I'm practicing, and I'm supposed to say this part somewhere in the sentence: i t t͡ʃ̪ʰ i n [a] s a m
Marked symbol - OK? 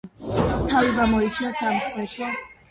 yes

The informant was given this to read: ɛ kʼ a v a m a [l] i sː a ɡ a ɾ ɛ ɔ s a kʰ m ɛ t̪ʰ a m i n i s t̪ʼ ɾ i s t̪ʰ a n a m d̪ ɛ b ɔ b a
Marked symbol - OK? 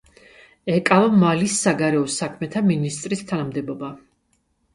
yes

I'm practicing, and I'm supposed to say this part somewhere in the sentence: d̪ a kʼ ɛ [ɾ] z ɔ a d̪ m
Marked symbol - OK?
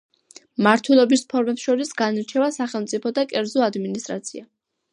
yes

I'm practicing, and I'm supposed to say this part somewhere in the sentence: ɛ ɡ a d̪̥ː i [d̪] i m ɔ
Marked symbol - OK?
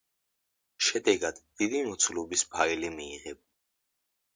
yes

